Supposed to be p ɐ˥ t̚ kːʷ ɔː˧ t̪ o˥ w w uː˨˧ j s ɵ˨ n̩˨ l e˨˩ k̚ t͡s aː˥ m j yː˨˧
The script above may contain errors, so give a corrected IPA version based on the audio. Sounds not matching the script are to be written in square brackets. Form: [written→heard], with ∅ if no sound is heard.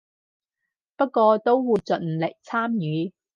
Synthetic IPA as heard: p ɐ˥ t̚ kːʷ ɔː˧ t̪ o˥ w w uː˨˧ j [s→t͡s] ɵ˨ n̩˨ l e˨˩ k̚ [t͡s→t͡sʰ] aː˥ m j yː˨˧